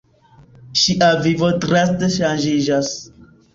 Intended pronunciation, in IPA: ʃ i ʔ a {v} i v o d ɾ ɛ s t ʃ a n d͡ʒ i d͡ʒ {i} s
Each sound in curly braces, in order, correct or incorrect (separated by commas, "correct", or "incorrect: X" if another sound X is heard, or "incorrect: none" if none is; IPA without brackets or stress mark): correct, incorrect: a